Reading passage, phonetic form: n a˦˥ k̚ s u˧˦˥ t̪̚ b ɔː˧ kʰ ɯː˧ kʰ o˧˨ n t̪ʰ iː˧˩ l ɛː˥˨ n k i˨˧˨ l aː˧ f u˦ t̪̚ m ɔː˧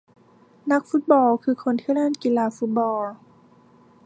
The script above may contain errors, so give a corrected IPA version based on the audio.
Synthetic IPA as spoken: n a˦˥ k̚ f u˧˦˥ t̪̚ b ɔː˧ kʰ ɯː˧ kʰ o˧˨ n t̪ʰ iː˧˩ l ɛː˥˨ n k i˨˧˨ l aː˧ f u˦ t̪̚ b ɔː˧